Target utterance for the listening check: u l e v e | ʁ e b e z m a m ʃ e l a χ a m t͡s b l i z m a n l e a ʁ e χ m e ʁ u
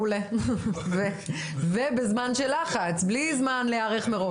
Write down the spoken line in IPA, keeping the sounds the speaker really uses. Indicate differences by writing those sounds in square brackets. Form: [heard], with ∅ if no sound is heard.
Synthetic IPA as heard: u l e v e | [v] e b e z m a [n] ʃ e l a χ a [∅] t͡s b l i z m a n l e a ʁ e χ m e ʁ [o]